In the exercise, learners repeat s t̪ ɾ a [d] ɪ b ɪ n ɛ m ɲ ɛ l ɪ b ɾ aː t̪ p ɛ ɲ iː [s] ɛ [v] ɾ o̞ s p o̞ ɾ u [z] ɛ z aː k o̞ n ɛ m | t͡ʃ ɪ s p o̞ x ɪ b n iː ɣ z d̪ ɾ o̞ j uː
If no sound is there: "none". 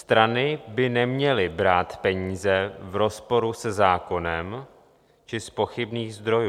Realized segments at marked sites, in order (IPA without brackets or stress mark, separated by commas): n, z, v, s